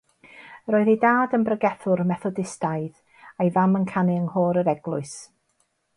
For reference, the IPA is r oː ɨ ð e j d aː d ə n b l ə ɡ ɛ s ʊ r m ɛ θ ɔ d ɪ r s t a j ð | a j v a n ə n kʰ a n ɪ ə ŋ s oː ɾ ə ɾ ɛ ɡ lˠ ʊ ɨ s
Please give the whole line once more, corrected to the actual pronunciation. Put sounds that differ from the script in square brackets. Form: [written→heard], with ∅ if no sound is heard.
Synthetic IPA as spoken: r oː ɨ ð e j d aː d ə n b [l→r] ə ɡ ɛ [s→θ] ʊ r m ɛ θ ɔ d ɪ [r→∅] s t a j ð | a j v a [n→m] ə n kʰ a n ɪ ə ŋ [s→h] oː ɾ ə ɾ ɛ ɡ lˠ ʊ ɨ s